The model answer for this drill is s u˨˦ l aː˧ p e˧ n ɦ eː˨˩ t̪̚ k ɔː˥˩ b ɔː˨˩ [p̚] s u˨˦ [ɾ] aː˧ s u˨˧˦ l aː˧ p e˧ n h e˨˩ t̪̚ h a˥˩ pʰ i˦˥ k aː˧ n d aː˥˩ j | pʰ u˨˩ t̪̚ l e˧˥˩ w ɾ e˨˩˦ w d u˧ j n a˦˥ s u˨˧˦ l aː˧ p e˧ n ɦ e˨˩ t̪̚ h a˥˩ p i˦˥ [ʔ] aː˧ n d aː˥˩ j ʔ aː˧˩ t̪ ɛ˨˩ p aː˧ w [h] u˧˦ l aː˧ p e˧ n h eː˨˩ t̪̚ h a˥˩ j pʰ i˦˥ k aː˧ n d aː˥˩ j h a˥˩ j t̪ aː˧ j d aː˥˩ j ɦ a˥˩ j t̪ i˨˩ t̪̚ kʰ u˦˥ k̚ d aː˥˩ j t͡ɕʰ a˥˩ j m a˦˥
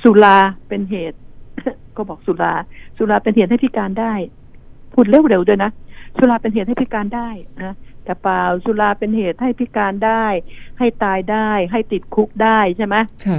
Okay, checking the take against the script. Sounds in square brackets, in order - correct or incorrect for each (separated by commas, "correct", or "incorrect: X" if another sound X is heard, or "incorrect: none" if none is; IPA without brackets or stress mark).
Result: incorrect: k̚, incorrect: l, incorrect: k, incorrect: s